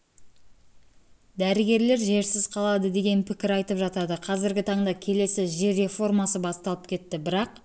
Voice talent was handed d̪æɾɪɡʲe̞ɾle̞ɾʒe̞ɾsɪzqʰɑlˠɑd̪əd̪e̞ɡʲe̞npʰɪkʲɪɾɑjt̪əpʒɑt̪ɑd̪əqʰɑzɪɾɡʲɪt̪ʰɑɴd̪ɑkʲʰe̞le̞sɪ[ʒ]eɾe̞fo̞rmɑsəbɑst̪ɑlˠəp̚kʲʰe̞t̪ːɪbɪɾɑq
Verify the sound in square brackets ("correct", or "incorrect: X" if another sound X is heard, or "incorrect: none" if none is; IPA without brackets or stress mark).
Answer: correct